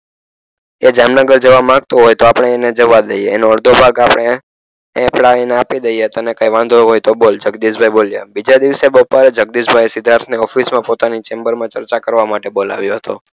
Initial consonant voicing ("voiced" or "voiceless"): voiced